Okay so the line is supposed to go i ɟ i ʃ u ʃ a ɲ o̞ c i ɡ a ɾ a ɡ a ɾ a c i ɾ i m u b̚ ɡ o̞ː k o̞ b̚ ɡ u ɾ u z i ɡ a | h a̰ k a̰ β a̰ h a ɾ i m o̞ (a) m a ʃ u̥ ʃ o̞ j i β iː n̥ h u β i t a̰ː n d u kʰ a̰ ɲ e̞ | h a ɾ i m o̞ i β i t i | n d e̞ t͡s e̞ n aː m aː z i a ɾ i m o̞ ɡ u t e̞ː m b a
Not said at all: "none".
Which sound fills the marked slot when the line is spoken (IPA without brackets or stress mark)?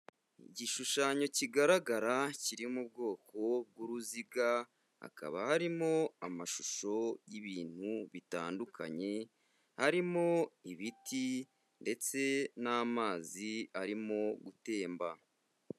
a